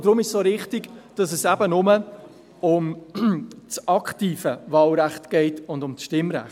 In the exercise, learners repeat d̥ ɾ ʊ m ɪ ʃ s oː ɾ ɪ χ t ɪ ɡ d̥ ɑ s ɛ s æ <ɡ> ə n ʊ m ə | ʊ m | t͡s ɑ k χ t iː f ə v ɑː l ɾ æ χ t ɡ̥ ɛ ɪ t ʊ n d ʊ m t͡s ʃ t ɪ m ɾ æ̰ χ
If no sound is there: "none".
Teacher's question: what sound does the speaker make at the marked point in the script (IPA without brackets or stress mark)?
b